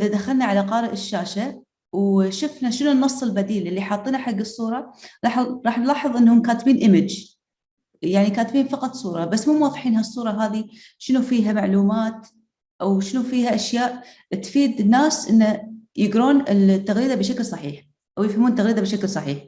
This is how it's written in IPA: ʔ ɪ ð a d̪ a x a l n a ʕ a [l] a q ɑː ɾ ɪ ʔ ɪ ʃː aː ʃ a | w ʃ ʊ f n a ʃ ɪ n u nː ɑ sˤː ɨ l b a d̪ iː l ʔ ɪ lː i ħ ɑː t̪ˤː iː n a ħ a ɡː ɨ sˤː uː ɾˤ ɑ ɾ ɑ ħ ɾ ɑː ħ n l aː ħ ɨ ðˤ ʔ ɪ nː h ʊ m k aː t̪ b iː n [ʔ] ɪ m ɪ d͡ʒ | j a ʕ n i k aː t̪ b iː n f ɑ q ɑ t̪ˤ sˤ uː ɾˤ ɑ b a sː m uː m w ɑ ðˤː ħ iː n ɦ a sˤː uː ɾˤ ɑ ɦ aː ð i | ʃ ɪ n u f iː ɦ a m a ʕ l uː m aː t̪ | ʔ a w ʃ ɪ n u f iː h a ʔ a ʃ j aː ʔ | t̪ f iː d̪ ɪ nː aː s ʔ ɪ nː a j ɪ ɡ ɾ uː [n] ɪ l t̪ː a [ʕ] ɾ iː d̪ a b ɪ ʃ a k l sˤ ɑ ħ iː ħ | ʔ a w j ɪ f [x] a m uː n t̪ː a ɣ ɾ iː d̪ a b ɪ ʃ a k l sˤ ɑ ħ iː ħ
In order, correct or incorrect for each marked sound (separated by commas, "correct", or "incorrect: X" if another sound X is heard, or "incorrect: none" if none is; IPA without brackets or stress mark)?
correct, correct, correct, incorrect: ɣ, incorrect: h